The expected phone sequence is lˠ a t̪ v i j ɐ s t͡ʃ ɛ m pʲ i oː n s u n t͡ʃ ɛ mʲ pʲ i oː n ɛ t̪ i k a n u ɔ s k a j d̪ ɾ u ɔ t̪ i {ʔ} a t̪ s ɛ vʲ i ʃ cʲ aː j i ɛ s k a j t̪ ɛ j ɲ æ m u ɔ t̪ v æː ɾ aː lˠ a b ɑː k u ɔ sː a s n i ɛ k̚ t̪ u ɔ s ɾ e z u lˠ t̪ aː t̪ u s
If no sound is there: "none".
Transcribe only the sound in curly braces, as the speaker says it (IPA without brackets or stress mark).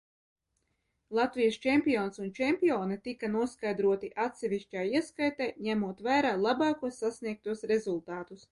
ʔ